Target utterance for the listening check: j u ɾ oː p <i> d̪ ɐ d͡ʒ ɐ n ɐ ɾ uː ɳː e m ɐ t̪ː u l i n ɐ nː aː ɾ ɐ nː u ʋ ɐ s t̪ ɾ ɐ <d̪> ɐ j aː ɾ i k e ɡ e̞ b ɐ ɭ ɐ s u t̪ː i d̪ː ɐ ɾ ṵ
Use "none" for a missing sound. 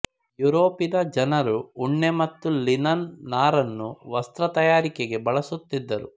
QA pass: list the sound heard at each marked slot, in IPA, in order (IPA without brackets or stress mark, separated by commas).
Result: i, t̪